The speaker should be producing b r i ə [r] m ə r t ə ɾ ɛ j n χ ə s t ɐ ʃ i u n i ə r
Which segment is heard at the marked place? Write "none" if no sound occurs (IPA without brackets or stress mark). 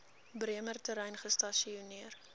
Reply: none